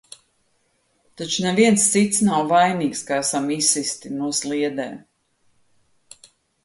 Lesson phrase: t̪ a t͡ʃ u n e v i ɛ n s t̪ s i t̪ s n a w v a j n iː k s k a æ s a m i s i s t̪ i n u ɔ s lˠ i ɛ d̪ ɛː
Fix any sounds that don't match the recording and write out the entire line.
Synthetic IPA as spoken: t̪ a t͡ʃ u n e v i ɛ n s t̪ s i t̪ s n a w v a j n iː k s k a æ s a m i s i s t̪ i n u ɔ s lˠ i ɛ d̪ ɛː